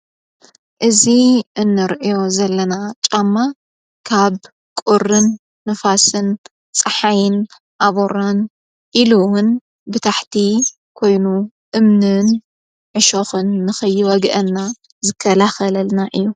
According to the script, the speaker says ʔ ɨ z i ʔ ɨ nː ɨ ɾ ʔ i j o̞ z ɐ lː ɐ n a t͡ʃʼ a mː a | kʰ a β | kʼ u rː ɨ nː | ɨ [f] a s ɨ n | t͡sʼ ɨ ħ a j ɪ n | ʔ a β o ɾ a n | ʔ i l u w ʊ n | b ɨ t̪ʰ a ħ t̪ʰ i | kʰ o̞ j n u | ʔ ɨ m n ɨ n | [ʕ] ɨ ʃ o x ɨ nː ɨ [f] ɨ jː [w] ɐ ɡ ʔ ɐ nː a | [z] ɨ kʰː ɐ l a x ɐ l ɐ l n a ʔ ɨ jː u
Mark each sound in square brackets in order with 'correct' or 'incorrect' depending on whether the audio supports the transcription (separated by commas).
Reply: correct, correct, incorrect, correct, correct